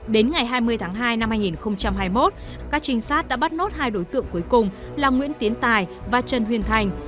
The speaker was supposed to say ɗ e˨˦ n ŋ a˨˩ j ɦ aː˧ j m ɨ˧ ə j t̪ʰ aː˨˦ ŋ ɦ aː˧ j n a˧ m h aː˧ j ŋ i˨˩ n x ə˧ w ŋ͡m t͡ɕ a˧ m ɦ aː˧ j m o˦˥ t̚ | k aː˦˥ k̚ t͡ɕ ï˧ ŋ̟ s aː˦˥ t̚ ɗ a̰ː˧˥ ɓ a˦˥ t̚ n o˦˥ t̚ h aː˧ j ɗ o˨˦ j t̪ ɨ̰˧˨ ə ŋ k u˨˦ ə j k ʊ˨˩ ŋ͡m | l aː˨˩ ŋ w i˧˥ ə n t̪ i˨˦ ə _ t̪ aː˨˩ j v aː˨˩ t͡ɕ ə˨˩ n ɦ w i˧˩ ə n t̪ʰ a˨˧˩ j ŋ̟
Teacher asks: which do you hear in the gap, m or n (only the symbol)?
n